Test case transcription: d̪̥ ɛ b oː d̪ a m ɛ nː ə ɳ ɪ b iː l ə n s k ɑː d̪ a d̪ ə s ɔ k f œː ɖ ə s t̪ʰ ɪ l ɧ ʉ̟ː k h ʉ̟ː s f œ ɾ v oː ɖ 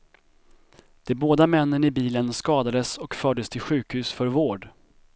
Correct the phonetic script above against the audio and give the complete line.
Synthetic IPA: d̪̥ ɛ b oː d̪ a m ɛ nː ə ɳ ɪ b iː l ə n s k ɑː d̪ a d̪ ə s ɔ k f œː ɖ ə s t̪ʰ ɪ l ɧ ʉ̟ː k h ʉ̟ː s f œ ɾ v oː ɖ